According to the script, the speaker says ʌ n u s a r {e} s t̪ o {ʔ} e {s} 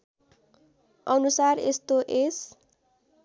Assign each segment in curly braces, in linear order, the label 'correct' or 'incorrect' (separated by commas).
correct, correct, correct